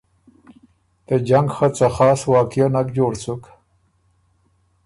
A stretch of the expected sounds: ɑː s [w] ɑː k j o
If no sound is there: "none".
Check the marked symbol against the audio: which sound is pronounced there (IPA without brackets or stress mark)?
w